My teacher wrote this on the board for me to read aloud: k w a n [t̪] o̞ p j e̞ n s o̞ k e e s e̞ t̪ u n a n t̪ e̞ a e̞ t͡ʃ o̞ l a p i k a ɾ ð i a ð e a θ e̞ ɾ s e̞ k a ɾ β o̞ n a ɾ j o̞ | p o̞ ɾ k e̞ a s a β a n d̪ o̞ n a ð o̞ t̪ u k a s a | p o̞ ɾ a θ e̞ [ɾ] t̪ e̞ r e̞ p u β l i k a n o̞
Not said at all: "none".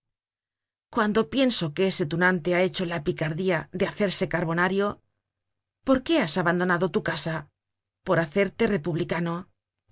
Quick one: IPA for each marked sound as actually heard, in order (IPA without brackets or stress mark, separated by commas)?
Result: d̪, ɾ